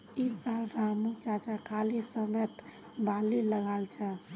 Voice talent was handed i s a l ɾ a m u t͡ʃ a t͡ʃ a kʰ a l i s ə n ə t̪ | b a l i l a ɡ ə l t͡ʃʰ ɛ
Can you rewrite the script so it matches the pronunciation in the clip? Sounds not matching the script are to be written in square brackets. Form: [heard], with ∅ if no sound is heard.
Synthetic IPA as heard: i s a l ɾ a m u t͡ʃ a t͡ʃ a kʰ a l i s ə [m] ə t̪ | b a l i l [ə] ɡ [a] l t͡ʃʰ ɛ